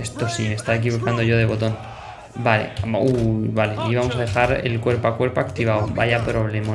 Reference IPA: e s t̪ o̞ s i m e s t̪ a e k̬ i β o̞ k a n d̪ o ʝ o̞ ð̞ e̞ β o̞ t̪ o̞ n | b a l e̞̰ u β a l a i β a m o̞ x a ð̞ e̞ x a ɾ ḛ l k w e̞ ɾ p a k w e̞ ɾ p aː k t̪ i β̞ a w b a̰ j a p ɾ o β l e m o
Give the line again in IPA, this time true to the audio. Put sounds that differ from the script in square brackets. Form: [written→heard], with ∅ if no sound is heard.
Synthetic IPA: e s t̪ o̞ s i m e s t̪ a e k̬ i β o̞ k a n d̪ o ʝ o̞ ð̞ e̞ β o̞ t̪ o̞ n | b a l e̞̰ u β a l [a→e] i β a m o̞ [x→s] a ð̞ e̞ x a ɾ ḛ l k w e̞ ɾ p a k w e̞ ɾ p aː k t̪ i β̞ a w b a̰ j a p ɾ o β l e m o